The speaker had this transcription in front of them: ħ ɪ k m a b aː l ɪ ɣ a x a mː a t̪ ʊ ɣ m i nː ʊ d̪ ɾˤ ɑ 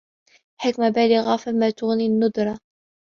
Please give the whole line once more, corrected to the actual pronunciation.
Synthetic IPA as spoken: ħ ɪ k m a b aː l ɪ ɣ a f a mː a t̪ ʊ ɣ n i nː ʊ d̪ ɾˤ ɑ